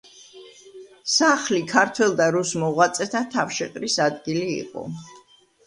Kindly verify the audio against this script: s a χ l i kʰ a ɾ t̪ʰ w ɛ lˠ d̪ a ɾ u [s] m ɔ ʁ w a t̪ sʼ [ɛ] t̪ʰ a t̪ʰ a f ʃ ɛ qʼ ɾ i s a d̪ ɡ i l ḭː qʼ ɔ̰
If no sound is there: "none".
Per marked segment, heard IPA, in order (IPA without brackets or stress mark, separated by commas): s, ɛ